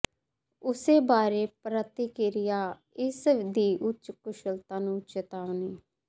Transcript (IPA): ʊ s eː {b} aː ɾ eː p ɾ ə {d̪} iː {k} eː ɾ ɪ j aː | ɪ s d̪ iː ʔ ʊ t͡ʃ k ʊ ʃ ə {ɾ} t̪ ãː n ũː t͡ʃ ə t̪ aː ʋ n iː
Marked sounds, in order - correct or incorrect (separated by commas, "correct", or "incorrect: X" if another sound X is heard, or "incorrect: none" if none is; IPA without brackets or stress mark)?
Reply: correct, incorrect: t̪, correct, incorrect: l